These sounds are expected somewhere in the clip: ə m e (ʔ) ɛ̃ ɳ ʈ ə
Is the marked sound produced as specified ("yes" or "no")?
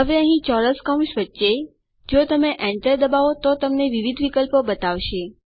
yes